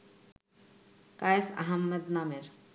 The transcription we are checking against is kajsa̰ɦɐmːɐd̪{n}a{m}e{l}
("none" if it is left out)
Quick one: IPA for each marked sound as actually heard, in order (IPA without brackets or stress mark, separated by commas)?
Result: n, m, ɾ